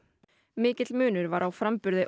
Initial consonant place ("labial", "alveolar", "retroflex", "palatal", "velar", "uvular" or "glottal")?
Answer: labial